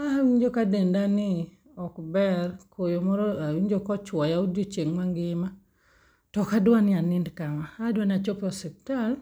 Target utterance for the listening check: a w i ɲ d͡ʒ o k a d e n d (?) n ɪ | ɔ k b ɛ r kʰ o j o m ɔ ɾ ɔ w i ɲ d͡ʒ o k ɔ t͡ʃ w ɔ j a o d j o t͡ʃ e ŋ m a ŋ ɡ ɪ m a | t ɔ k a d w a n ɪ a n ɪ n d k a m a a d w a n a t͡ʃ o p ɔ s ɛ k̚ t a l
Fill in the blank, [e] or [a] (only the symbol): a